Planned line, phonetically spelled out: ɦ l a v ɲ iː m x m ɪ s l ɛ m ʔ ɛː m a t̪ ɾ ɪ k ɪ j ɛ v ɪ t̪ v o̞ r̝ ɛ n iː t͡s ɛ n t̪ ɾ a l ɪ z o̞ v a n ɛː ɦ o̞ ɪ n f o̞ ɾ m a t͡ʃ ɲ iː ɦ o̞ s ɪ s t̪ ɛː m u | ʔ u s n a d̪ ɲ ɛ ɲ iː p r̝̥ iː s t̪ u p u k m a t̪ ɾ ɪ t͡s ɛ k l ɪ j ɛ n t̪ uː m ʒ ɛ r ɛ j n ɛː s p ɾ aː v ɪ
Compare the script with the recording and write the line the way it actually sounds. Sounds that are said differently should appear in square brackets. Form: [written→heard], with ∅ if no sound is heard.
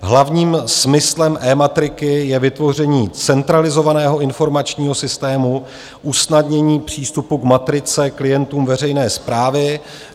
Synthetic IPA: ɦ l a v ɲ iː m [x→s] m ɪ s l ɛ m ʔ ɛː m a t̪ ɾ ɪ k ɪ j ɛ v ɪ t̪ v o̞ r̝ ɛ [n→ɲ] iː t͡s ɛ n t̪ ɾ a l ɪ z o̞ v a n ɛː ɦ o̞ ɪ n f o̞ ɾ m a t͡ʃ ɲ iː ɦ o̞ s ɪ s t̪ ɛː m u | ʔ u s n a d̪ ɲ ɛ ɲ iː p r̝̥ iː s t̪ u p u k m a t̪ ɾ ɪ t͡s ɛ k l ɪ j ɛ n t̪ uː m [ʒ→v] ɛ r ɛ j n ɛː s p ɾ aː v ɪ

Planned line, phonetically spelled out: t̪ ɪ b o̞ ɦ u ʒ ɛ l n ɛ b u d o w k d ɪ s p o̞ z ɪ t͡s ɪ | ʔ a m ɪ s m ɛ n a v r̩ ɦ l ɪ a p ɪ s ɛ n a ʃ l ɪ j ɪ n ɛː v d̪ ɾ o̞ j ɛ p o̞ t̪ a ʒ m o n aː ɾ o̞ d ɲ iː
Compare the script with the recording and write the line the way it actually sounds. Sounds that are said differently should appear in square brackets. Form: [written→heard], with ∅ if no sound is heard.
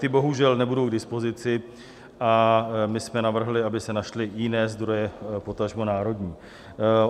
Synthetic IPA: t̪ ɪ b o̞ ɦ u ʒ ɛ l n ɛ b u d o w [k→ɡ] d ɪ s p o̞ z ɪ t͡s ɪ | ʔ a m ɪ s m ɛ n a v r̩ ɦ l ɪ a [p→b] ɪ s ɛ n a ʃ l ɪ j ɪ n ɛː [v→z] d̪ ɾ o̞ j ɛ p o̞ t̪ a ʒ m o n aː ɾ o̞ d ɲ iː

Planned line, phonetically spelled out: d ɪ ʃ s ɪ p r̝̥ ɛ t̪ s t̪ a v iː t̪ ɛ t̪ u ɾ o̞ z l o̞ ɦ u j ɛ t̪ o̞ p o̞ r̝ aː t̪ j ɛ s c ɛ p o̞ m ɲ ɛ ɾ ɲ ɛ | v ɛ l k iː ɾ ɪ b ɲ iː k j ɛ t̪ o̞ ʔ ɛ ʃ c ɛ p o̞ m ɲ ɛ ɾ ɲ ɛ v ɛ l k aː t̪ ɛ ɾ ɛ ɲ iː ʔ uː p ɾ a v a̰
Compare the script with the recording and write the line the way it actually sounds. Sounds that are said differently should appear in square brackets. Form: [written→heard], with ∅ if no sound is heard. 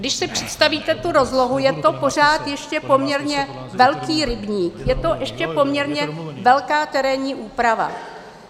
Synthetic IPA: d ɪ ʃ s ɪ p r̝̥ ɛ t̪ s t̪ a v iː t̪ ɛ t̪ u ɾ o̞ z l o̞ ɦ u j ɛ t̪ o̞ p o̞ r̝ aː t̪ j ɛ [s→ʃ] c ɛ p o̞ m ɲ ɛ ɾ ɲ ɛ | v ɛ l k iː ɾ ɪ b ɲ iː k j ɛ t̪ o̞ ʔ ɛ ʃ c ɛ p o̞ m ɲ ɛ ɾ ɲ ɛ v ɛ l k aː t̪ ɛ ɾ ɛ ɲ iː ʔ uː p ɾ a v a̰

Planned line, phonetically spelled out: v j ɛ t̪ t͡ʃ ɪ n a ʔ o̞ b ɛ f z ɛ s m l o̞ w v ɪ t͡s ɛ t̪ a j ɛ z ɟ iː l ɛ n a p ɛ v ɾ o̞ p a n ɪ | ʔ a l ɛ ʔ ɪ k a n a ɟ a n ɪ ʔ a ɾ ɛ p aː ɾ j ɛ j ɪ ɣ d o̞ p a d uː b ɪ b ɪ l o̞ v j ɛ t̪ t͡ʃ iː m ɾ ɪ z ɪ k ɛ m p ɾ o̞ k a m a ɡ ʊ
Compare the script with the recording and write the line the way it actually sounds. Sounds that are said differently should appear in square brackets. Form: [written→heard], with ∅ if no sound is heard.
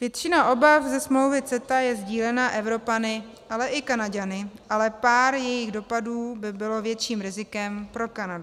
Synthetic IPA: v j ɛ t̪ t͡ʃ ɪ n a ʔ o̞ b [ɛ→a] f z ɛ s m l o̞ w v ɪ t͡s ɛ t̪ a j ɛ z ɟ iː l ɛ n a [p→ʔ] ɛ v ɾ o̞ p a n ɪ | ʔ a l ɛ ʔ ɪ k a n a ɟ a n ɪ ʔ a [ɾ→l] ɛ p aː ɾ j ɛ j ɪ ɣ d o̞ p a d uː b ɪ b ɪ l o̞ v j ɛ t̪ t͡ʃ iː m ɾ ɪ z ɪ k ɛ m p ɾ o̞ k a [m→n] a [ɡ→d] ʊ

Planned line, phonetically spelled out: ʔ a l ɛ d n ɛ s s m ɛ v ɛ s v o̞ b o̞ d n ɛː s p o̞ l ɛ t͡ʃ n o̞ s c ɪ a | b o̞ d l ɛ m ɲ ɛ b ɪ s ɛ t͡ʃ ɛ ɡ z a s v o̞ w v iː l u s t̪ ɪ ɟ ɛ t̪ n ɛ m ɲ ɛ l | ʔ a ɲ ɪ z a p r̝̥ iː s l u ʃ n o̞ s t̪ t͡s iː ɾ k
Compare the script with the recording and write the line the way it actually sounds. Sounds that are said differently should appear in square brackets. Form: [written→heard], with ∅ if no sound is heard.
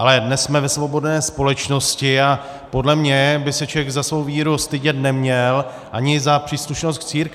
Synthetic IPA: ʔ a l ɛ d n ɛ s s m ɛ v ɛ s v o̞ b o̞ d n ɛː s p o̞ l ɛ t͡ʃ n o̞ s c ɪ a | [b→p] o̞ d l ɛ m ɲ ɛ b ɪ s ɛ t͡ʃ ɛ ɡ z a s v o̞ w v iː [l→ɾ] u s t̪ ɪ ɟ ɛ t̪ n ɛ m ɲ ɛ l | ʔ a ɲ ɪ z a p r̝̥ iː s l u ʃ n o̞ s t̪ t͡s iː ɾ k

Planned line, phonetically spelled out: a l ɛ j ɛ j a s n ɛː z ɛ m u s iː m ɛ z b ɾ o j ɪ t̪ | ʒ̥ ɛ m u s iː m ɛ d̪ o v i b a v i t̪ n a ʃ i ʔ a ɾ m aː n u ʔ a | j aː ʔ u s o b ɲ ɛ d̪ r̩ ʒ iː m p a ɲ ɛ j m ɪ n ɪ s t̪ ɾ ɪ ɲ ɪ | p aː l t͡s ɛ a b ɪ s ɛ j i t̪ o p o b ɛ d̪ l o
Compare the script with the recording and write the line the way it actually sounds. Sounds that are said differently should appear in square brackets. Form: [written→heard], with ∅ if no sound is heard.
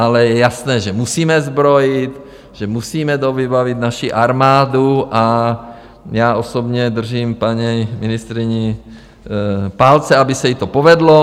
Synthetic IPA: a l ɛ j ɛ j a s n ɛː [z→ʒ] ɛ m u s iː m ɛ z b ɾ o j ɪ t̪ | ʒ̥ ɛ m u s iː m ɛ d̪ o v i b a v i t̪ n a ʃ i ʔ a ɾ m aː [n→d] u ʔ a | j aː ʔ [u→o] s o b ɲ ɛ d̪ r̩ ʒ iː m p a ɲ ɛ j m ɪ n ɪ s t̪ ɾ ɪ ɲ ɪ | p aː l t͡s ɛ a b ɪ s ɛ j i t̪ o p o [b→v] ɛ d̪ l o

